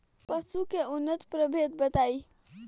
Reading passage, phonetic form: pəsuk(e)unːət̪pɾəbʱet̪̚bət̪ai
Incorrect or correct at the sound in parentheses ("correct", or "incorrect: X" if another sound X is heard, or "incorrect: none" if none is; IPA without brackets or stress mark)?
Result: correct